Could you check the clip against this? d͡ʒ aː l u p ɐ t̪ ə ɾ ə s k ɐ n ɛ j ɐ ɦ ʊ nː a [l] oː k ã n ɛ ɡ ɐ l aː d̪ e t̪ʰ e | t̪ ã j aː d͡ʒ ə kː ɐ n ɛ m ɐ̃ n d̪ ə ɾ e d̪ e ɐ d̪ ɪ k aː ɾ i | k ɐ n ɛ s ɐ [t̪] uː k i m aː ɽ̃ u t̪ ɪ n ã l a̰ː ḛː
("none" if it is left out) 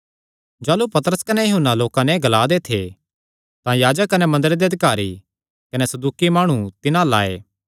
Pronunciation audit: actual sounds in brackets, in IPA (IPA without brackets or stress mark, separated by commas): l, d̪